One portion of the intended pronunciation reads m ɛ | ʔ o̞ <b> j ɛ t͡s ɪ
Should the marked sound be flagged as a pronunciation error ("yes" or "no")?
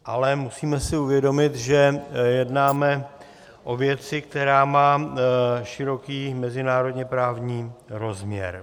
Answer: yes